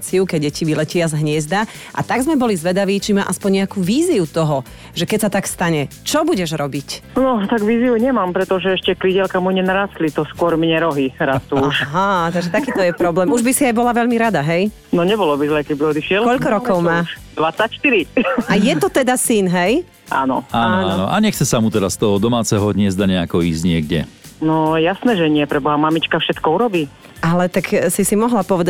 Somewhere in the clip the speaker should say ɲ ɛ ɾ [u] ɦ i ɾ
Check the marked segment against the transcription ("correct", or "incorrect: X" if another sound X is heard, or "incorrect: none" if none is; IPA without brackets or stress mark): incorrect: ɔ